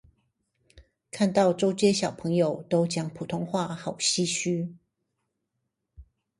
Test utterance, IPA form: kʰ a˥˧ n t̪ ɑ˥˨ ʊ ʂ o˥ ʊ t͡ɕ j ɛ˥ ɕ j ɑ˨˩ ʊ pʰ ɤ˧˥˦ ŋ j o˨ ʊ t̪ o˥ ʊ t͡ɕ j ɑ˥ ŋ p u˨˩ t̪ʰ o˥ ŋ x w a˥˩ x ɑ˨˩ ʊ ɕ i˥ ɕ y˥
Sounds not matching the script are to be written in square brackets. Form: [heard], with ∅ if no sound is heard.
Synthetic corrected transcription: kʰ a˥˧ n t̪ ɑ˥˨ ʊ [ʈ͡ʂ] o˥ ʊ t͡ɕ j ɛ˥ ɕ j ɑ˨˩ ʊ pʰ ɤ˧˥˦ ŋ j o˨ ʊ t̪ o˥ ʊ t͡ɕ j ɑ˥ ŋ [pʰ] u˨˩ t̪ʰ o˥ ŋ x w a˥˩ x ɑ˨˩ ʊ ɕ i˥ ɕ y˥

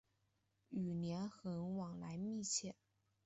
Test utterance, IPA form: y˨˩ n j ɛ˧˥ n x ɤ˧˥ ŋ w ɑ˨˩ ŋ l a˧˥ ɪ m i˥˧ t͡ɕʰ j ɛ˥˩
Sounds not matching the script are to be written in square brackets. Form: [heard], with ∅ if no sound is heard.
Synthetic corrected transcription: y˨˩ n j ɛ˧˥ n x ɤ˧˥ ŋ w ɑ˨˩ ŋ l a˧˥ ɪ m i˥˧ t͡ɕʰ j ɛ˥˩

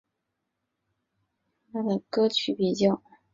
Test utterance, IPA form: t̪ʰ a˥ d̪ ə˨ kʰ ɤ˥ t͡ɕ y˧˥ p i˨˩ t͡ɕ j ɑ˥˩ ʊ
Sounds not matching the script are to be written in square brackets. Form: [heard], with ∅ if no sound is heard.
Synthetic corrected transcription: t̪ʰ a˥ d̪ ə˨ [k] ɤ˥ [t͡ɕʰ] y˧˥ p i˨˩ t͡ɕ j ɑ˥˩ ʊ

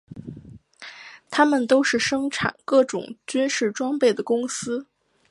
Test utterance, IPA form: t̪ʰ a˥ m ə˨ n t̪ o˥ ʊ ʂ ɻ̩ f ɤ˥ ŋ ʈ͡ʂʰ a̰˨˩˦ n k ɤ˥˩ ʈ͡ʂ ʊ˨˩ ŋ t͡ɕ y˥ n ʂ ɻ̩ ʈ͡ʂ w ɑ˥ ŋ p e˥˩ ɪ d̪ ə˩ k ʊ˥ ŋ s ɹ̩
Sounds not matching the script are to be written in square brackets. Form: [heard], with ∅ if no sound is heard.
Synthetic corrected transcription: t̪ʰ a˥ m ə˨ n t̪ o˥ ʊ ʂ ɻ̩ [ʂ] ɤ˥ ŋ ʈ͡ʂʰ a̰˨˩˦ n k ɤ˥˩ ʈ͡ʂ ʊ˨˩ ŋ t͡ɕ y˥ n ʂ ɻ̩ ʈ͡ʂ w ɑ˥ ŋ p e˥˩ ɪ d̪ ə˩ k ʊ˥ ŋ s ɹ̩

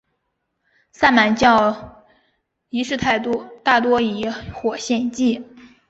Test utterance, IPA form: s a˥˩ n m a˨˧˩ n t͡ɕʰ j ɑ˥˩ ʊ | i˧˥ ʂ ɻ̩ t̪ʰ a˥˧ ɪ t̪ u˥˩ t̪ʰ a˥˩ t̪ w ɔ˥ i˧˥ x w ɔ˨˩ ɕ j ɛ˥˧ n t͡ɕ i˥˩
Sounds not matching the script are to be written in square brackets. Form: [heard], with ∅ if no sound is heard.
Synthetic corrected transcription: s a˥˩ n m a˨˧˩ n [t͡ɕ] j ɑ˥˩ ʊ | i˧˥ ʂ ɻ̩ t̪ʰ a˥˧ ɪ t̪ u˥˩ [t̪] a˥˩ t̪ w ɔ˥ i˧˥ x w ɔ˨˩ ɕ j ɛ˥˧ n t͡ɕ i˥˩

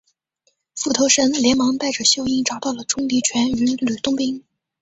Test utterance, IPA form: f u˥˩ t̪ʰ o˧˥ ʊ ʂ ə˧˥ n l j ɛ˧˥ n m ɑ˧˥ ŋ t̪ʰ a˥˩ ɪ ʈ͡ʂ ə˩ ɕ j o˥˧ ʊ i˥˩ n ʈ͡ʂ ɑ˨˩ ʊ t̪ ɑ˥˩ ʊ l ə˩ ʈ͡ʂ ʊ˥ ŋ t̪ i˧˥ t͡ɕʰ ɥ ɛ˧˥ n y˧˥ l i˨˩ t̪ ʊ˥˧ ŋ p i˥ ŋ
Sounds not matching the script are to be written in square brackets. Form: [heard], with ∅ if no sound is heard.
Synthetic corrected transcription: f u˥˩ t̪ʰ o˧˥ ʊ ʂ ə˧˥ n l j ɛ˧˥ n m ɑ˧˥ ŋ [t̪] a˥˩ ɪ ʈ͡ʂ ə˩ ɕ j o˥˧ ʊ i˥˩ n ʈ͡ʂ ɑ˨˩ ʊ t̪ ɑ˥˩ ʊ l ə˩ ʈ͡ʂ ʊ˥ ŋ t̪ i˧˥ t͡ɕʰ ɥ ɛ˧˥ n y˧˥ l [y˨˩] t̪ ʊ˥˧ ŋ p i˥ ŋ

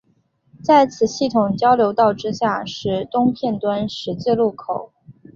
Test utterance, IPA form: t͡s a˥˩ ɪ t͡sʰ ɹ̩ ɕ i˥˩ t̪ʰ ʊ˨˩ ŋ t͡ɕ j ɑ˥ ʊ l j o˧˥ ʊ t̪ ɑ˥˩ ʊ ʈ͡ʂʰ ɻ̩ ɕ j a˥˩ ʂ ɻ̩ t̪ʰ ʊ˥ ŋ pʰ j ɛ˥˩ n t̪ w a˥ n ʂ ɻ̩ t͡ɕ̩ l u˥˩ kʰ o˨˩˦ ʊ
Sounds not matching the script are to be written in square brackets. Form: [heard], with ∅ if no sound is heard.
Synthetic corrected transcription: t͡s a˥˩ ɪ t͡sʰ ɹ̩ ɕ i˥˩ t̪ʰ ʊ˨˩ ŋ t͡ɕ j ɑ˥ ʊ l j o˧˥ ʊ t̪ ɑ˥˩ ʊ [ʈ͡ʂ] ɻ̩ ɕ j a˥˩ ʂ ɻ̩ [t̪] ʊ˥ ŋ pʰ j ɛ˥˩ n t̪ w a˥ n ʂ ɻ̩ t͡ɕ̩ l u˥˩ kʰ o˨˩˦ ʊ

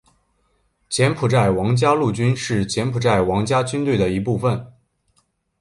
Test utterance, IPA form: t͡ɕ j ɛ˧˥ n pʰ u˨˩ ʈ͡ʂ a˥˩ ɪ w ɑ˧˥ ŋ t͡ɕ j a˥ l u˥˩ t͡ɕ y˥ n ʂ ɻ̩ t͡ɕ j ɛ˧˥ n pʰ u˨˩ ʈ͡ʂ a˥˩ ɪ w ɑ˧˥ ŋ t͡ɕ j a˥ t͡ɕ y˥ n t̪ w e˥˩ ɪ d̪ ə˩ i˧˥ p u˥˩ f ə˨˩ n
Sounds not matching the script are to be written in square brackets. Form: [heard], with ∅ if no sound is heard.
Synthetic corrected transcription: t͡ɕ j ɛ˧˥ n pʰ u˨˩ ʈ͡ʂ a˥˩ ɪ w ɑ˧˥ ŋ t͡ɕ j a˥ l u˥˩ t͡ɕ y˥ n ʂ ɻ̩ t͡ɕ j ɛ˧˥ n pʰ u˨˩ ʈ͡ʂ a˥˩ ɪ w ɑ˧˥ ŋ t͡ɕ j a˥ t͡ɕ y˥ n t̪ w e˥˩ ɪ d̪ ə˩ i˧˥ p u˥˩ f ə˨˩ n

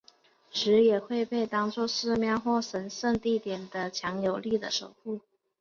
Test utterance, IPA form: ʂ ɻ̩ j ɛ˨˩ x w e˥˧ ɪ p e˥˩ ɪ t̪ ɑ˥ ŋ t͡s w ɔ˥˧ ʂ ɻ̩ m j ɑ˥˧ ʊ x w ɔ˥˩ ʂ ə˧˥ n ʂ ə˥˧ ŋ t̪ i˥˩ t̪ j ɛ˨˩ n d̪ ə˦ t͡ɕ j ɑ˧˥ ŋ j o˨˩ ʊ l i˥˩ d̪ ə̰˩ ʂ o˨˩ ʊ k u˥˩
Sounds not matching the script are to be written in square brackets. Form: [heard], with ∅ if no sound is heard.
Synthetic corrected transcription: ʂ ɻ̩ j ɛ˨˩ x w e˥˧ ɪ p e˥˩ ɪ t̪ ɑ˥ ŋ t͡s w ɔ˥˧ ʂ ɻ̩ m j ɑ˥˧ ʊ x w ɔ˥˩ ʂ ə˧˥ n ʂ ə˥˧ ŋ t̪ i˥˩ t̪ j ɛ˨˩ n d̪ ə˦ [t͡ɕʰ] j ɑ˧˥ ŋ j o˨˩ ʊ l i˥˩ d̪ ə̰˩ ʂ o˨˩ ʊ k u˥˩

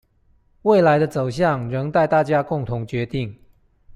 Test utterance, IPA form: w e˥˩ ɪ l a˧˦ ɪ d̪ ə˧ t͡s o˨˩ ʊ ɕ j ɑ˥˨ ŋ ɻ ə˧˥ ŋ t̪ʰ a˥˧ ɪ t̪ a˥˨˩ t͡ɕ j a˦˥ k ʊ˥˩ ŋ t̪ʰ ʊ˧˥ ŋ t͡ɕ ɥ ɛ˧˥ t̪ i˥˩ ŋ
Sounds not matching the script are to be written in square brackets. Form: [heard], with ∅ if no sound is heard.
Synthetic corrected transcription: w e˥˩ ɪ l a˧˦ ɪ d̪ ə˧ t͡s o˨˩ ʊ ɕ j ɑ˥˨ ŋ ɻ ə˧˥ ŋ [t̪] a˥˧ ɪ t̪ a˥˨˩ t͡ɕ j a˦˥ k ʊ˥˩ ŋ t̪ʰ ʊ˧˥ ŋ t͡ɕ ɥ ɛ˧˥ t̪ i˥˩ ŋ

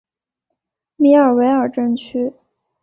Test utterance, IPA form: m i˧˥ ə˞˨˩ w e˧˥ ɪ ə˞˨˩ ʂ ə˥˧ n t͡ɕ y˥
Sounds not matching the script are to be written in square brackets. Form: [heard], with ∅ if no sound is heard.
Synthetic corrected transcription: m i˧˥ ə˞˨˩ w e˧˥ ɪ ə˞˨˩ [ʈ͡ʂ] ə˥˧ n [t͡ɕʰ] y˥

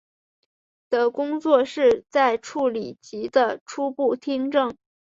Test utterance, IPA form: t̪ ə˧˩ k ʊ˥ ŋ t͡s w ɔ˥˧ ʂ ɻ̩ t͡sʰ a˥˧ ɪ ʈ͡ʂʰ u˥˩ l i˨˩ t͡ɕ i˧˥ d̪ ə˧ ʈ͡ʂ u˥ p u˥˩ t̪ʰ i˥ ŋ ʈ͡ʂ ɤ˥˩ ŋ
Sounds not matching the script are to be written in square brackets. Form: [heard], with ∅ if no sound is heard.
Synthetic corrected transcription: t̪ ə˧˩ k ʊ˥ ŋ t͡s w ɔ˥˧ ʂ ɻ̩ [t͡s] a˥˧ ɪ ʈ͡ʂʰ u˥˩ l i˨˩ t͡ɕ i˧˥ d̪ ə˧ [ʈ͡ʂʰ] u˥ p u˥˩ t̪ʰ i˥ ŋ ʈ͡ʂ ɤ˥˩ ŋ

